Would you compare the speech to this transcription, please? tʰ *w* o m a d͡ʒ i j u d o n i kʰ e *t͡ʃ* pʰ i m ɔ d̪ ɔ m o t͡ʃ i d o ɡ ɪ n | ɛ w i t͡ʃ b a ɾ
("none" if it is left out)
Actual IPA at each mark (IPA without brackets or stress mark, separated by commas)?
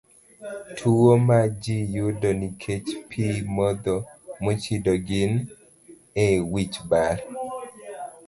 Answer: u, t͡ʃ